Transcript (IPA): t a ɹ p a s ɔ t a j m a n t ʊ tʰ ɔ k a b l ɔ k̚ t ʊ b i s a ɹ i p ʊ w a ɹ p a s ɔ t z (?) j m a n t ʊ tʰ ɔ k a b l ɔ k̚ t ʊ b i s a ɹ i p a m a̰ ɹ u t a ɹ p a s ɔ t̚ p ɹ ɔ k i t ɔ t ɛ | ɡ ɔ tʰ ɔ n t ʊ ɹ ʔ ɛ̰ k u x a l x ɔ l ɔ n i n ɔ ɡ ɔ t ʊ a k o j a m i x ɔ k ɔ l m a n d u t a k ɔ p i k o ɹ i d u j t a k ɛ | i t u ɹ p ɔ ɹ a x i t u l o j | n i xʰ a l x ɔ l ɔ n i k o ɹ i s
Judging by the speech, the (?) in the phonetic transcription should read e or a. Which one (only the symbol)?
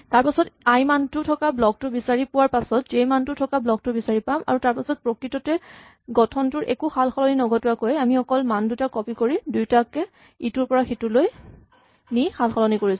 e